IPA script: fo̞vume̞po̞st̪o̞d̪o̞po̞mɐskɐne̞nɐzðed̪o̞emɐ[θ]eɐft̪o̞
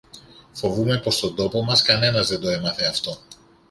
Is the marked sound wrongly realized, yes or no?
no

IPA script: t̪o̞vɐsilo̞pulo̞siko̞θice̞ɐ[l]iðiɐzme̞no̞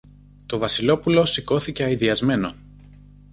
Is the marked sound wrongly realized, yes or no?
yes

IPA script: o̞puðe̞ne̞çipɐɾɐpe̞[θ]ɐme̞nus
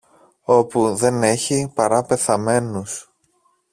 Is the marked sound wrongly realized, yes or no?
no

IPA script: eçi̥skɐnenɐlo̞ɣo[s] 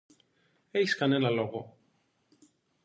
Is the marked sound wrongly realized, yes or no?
yes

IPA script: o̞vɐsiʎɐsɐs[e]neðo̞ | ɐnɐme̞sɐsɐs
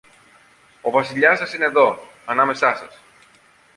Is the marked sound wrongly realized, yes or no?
yes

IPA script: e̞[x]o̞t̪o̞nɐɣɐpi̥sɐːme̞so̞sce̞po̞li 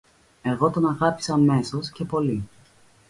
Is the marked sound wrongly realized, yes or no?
yes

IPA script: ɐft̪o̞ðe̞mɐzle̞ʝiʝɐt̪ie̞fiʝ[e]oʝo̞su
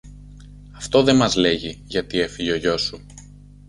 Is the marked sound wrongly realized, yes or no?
no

